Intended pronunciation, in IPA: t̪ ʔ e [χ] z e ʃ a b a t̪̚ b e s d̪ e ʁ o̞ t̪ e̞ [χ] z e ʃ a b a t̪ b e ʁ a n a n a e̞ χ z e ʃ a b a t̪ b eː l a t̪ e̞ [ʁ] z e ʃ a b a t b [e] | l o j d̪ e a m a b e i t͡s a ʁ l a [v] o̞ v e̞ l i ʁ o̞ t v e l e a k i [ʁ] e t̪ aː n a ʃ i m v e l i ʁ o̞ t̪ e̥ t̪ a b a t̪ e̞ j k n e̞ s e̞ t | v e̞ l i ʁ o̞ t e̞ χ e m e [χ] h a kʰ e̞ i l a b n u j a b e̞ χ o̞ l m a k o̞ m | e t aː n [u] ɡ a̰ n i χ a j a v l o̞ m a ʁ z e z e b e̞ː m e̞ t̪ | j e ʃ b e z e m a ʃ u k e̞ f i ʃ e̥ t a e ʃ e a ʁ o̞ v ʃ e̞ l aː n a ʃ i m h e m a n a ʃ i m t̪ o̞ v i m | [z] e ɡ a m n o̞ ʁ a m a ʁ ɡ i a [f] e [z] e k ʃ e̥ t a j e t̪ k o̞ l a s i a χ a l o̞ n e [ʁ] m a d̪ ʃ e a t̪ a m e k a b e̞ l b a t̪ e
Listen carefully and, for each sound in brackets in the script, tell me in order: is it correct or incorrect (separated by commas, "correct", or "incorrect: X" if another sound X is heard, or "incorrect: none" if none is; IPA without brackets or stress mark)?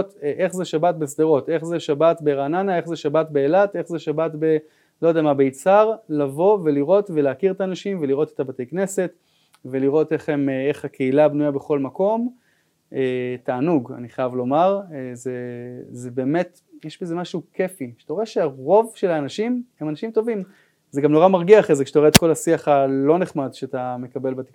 correct, correct, incorrect: χ, correct, correct, correct, correct, correct, correct, incorrect: χ, correct, incorrect: χ